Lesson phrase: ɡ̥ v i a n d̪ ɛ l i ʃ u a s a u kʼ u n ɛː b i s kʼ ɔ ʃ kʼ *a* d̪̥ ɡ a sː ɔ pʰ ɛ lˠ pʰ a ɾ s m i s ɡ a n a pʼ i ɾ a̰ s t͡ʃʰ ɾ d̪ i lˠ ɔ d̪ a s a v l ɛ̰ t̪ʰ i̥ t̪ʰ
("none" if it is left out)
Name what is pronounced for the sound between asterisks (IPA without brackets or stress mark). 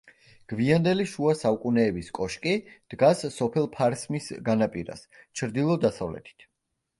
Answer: i